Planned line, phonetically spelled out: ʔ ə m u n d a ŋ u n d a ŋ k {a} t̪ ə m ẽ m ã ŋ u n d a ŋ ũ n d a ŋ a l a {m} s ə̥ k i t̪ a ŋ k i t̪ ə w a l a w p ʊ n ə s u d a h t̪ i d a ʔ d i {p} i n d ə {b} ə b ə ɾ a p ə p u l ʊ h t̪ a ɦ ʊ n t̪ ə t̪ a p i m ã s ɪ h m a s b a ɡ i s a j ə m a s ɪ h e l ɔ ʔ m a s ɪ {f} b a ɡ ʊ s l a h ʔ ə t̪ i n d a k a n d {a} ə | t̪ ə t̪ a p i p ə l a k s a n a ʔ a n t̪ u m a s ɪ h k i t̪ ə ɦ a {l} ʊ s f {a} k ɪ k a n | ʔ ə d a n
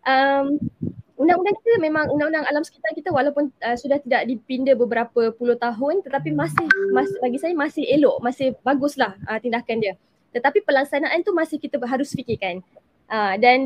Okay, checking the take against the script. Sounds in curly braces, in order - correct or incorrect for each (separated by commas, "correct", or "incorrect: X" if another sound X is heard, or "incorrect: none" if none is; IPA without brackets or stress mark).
incorrect: i, correct, correct, correct, incorrect: h, incorrect: i, incorrect: ɾ, incorrect: i